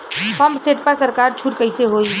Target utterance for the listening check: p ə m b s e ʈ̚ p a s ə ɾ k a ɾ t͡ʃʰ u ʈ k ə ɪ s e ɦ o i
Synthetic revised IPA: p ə m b s e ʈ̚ p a s ə ɾ k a ɾ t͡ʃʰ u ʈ k ə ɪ s e ɦ o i